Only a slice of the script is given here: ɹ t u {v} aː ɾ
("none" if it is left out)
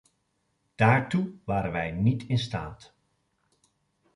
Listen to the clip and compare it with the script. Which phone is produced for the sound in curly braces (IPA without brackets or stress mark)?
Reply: ʋ